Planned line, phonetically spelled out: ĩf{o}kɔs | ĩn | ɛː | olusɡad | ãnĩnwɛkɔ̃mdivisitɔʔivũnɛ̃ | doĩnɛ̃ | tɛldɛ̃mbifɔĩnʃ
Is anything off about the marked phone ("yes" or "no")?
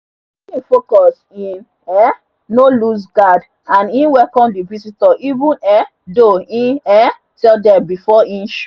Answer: no